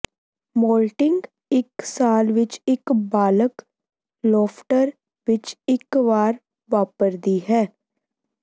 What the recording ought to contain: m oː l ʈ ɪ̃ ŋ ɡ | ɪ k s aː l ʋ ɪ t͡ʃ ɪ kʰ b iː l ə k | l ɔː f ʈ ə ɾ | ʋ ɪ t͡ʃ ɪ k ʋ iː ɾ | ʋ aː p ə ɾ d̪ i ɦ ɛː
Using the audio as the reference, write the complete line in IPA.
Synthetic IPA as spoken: m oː l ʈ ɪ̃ ŋ ɡ | ɪ k s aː l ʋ ɪ t͡ʃ ɪ k b aː l ə k | l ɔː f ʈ ə ɾ | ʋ ɪ t͡ʃ ɪ k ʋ aː ɾ | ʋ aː p ə ɾ d̪ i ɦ ɛː

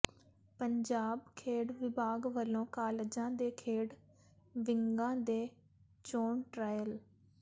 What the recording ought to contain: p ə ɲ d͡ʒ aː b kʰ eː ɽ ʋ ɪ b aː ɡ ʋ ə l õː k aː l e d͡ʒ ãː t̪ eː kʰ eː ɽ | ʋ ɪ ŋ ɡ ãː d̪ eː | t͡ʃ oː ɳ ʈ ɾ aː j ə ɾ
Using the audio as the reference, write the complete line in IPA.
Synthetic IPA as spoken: p ə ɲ d͡ʒ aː b kʰ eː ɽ ʋ ɪ b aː ɡ ʋ ə l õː k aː l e d͡ʒ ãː d̪ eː kʰ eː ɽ | ʋ ɪ ŋ ɡ ãː d̪ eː | t͡ʃ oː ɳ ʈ ɾ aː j ə l

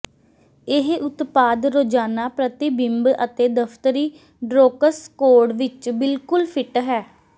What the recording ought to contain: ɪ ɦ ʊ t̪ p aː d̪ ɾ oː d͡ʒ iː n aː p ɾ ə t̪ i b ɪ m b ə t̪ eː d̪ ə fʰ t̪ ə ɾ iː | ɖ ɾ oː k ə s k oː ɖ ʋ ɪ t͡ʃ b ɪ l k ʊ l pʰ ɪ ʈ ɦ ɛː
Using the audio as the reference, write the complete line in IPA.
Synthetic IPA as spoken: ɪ ɦ ʊ t̪ p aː d̪ ɾ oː d͡ʒ aː n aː p ɾ ə t̪ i b ɪ m b ə t̪ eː d̪ ə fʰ t̪ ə ɾ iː | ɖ ɾ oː k ə s k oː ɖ ʋ ɪ t͡ʃ b ɪ l k ʊ l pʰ ɪ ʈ ɦ ɛː

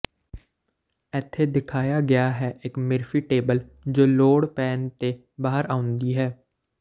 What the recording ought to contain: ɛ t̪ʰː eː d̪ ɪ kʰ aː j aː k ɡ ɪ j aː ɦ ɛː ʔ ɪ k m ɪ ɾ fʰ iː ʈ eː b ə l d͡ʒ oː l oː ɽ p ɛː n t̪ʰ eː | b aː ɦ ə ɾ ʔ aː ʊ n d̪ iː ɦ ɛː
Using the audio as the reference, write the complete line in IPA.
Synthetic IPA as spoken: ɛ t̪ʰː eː d̪ ɪ kʰ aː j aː ɡ ɪ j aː ɦ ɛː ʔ ɪ k m ɪ ɾ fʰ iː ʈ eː b ə l d͡ʒ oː l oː ɽ p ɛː n t̪ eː | b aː ɦ ə ɾ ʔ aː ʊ n d̪ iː ɦ ɛː

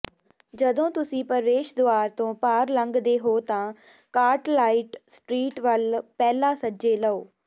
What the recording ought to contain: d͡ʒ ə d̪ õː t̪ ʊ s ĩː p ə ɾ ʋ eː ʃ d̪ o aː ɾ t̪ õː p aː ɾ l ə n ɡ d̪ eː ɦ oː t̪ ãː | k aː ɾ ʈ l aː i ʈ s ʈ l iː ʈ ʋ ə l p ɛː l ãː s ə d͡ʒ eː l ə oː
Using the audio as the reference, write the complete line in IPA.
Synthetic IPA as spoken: d͡ʒ ə d̪ õː t̪ ʊ s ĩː p ə ɾ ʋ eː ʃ d̪ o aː ɾ t̪ õː p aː ɾ l ə ŋ ɡ d̪ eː ɦ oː t̪ ãː | k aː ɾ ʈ l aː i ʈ s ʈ ɾ iː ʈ ʋ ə l p ɛː l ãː s ə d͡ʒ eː l ə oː

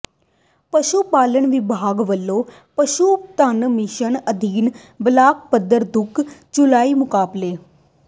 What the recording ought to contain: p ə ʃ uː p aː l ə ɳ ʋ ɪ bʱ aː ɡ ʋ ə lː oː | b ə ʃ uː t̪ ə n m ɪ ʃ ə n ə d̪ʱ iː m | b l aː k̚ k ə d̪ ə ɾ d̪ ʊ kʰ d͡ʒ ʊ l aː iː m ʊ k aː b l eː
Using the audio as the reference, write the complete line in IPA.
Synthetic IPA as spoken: p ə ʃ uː p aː l ə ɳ ʋ ɪ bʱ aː ɡ ʋ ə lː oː | p ə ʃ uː t̪ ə n m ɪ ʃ ə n ə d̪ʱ iː n | b l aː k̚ p ə d̪ ə ɾ d̪ ʊ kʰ d͡ʒ ʊ l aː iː m ʊ k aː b l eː

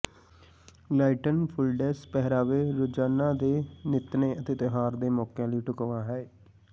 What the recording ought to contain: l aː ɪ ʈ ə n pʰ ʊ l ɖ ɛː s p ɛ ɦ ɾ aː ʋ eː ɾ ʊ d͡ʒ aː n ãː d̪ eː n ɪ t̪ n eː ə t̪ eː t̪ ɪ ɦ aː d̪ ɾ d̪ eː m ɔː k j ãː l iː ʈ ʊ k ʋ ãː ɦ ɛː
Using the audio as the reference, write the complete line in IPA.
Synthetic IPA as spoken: l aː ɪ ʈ ə n pʰ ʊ l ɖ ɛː s p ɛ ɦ ɾ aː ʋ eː ɾ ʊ d͡ʒ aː n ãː d̪ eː n ɪ t̪ n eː ə t̪ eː t̪ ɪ ɦ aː ɾ d̪ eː m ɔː k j ãː l iː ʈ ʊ k ʋ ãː ɦ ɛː

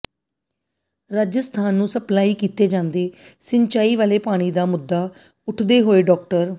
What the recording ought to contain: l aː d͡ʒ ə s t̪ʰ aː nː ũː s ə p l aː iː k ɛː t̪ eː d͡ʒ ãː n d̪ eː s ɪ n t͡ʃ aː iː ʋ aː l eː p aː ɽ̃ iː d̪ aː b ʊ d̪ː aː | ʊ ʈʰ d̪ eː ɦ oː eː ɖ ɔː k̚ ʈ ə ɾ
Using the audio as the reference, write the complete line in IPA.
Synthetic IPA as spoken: ɾ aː d͡ʒ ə s t̪ʰ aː nː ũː s ə p l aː iː k iː t̪ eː d͡ʒ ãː n d̪ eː s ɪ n t͡ʃ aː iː ʋ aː l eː p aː ɽ̃ iː d̪ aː m ʊ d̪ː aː | ʊ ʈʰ d̪ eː ɦ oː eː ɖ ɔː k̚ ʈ ə ɾ

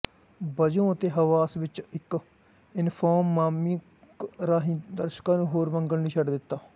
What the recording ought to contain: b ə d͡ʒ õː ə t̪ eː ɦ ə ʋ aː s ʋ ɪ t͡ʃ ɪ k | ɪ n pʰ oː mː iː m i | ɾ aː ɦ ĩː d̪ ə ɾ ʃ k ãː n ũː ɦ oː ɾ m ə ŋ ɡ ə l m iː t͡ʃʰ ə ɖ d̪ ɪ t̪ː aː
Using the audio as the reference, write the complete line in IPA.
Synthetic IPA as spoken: b ə d͡ʒ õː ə t̪ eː ɦ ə ʋ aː s ʋ ɪ t͡ʃ ɪ k | ɪ n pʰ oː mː aː m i | ɾ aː ɦ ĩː d̪ ə ɾ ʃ k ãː n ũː ɦ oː ɾ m ə ŋ ɡ ə l n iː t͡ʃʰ ə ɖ d̪ ɪ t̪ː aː

